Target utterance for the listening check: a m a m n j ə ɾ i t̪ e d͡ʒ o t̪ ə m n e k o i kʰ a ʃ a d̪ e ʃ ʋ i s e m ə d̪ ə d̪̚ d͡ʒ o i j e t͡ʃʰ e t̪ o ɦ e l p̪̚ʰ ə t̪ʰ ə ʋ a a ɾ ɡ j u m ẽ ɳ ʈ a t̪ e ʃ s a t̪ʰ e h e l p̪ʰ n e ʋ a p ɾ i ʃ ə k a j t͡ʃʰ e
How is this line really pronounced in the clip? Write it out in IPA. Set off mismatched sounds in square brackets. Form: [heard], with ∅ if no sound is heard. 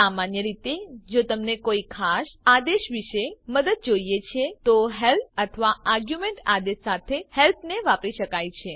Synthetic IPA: a m a [∅] n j ə ɾ i t̪ e d͡ʒ o t̪ ə m n e k o i kʰ a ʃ a d̪ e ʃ ʋ i [ʃ] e m ə d̪ ə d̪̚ d͡ʒ o i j e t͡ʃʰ e t̪ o ɦ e l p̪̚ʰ ə t̪ʰ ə ʋ a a ɾ ɡ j u m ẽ ɳ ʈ a [d̪] e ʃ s a t̪ʰ e h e l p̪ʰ n e ʋ a p ɾ i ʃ ə k a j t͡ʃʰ e